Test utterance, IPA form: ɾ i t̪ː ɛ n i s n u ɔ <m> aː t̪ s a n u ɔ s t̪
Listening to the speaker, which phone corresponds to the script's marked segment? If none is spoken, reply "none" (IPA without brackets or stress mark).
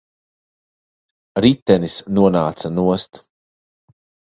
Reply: n